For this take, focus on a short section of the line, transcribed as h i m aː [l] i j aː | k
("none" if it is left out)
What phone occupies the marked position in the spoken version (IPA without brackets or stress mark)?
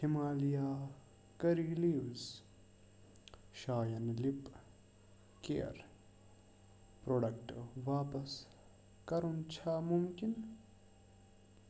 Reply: l